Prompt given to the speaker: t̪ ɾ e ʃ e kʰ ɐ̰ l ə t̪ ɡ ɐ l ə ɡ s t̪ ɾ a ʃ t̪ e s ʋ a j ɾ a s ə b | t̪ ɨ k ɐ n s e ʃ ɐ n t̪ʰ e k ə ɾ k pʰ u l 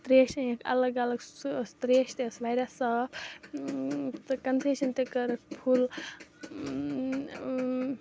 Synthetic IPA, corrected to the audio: t̪ ɾ e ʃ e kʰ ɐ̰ l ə ɡ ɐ l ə ɡ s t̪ ɾ e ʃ t̪ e s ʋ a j ɾ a s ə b | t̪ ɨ k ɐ n s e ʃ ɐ n t̪ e k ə ɾ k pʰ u l